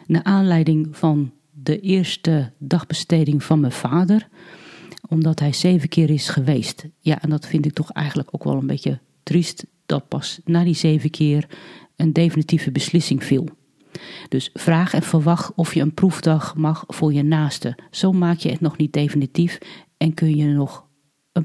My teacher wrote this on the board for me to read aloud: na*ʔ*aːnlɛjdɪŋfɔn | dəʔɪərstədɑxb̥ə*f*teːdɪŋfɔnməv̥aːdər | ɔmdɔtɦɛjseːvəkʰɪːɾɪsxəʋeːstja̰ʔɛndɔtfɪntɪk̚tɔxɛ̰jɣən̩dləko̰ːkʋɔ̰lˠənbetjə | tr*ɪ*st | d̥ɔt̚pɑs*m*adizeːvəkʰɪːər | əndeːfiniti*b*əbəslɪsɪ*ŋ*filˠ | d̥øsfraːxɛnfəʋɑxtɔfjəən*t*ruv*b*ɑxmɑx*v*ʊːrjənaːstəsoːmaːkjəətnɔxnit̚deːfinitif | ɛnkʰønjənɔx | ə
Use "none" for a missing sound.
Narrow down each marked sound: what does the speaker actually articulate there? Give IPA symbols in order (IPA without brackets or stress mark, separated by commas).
ʔ, s, i, n, v, ŋ, p, d, f